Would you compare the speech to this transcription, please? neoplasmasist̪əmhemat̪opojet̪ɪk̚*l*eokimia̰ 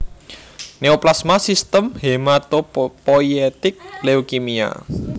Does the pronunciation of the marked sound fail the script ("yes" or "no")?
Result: no